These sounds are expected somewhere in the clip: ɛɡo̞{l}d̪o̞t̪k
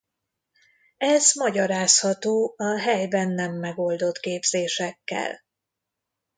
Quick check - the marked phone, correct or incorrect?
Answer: correct